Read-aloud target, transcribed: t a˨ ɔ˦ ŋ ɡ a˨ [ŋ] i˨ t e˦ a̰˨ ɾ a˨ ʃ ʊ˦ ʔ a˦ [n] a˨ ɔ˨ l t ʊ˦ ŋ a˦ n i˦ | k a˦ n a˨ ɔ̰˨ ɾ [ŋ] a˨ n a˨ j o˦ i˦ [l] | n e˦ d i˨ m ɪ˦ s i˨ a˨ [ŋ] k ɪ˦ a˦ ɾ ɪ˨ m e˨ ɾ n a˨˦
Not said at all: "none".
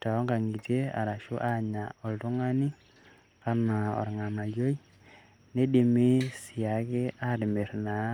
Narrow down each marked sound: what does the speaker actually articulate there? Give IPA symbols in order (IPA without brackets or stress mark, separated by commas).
ŋ, ɲ, ŋ, none, none